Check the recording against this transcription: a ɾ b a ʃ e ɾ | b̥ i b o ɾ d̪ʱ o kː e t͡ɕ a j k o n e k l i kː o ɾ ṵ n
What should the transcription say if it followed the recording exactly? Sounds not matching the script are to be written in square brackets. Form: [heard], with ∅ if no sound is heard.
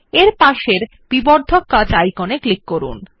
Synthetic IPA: [e] ɾ [p] a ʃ e ɾ | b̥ i b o ɾ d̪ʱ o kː [a] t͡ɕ a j k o n e k l i kː o ɾ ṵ n